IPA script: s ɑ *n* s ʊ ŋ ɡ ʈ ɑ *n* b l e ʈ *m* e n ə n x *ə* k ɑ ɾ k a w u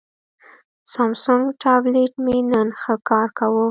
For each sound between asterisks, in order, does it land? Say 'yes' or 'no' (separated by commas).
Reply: no, no, yes, yes